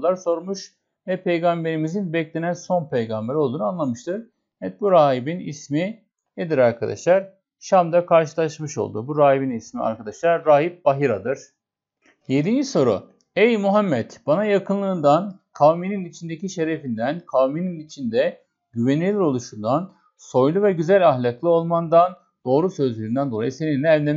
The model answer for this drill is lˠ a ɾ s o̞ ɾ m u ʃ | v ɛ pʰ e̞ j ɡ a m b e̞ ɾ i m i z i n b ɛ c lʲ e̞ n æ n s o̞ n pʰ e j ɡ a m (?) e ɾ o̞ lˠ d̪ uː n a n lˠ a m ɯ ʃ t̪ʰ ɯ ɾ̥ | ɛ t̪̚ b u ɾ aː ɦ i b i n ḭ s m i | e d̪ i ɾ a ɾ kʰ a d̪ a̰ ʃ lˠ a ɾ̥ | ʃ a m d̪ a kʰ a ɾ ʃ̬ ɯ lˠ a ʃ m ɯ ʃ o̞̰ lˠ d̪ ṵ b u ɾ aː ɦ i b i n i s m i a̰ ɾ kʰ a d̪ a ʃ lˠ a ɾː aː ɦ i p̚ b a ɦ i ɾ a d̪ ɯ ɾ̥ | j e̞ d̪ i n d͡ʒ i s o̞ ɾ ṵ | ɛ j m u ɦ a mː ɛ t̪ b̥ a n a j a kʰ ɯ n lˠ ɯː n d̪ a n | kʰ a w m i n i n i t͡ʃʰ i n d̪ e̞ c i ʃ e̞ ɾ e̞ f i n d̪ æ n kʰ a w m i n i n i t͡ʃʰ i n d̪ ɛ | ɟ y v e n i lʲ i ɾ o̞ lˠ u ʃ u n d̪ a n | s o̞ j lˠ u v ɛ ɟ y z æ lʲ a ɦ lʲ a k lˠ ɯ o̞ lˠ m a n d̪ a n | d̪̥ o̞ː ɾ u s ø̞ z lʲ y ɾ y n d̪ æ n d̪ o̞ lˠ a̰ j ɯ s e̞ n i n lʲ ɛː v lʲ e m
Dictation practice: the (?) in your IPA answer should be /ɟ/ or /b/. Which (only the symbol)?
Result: b